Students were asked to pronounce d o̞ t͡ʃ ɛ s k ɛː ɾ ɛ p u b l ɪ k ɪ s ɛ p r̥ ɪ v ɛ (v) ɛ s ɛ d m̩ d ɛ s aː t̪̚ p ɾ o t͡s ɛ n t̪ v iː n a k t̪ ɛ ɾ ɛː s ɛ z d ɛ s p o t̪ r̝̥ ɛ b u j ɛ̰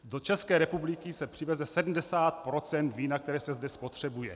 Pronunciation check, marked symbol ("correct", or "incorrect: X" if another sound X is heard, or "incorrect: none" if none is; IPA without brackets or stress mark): incorrect: z